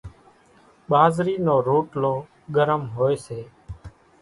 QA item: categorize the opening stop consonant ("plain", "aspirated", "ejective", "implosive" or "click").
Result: implosive